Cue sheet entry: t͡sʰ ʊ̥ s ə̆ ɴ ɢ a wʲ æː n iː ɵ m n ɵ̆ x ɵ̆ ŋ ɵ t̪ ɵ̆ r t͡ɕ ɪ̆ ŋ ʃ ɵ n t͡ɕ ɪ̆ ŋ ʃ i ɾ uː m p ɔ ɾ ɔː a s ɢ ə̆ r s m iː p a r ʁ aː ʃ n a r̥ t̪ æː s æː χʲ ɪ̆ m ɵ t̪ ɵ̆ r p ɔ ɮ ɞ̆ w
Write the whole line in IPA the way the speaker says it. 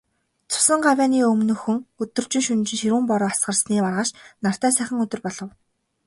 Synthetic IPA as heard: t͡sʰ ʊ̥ s ə̆ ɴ ɢ a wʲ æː n iː ɵ m n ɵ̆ x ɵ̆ ŋ ɵ t̪ ɵ̆ r t͡ɕ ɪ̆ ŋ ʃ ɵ n t͡ɕ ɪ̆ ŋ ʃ i ɾ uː m p ɔ ɾ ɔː a s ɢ ə̆ r s n iː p a r ʁ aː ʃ n a r̥ t̪ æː s æː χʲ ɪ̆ ŋ ɵ t̪ ɵ̆ r p ɔ ɮ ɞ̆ w